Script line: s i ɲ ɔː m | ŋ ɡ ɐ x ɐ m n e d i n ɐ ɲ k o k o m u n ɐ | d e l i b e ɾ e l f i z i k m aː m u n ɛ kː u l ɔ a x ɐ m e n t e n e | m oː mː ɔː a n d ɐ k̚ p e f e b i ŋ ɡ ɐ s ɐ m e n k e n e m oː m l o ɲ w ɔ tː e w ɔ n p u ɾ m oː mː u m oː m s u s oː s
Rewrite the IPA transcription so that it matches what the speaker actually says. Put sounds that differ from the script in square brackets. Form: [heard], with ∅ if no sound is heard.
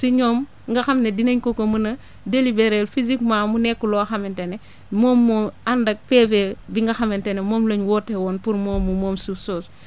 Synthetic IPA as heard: s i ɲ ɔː m | ŋ ɡ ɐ x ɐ m n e d i n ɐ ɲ k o k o m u n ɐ | d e l i b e ɾ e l f i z i k m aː m u n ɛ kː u l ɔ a x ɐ m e n t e n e | m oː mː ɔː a n d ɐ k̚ p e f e b i ŋ ɡ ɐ [x] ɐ m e n [t] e n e m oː m l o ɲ w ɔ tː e w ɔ n p u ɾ m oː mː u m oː m s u s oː s